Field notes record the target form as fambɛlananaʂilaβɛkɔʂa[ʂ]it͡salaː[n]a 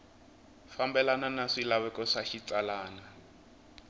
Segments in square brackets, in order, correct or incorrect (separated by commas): incorrect, correct